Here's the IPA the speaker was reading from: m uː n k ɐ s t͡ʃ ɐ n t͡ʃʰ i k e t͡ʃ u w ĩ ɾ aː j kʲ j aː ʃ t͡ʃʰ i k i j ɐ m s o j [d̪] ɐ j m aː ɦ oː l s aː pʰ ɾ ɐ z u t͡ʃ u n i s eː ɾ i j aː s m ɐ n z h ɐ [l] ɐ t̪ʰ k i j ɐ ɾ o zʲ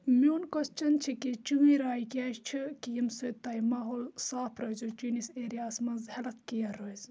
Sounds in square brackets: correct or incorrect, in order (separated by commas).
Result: incorrect, correct